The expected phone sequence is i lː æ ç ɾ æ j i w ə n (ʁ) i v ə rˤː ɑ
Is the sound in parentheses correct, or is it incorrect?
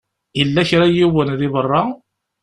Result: incorrect